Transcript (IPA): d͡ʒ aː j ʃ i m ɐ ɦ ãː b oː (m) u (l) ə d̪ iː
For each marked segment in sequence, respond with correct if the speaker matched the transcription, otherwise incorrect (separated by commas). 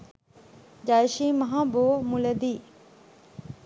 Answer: correct, correct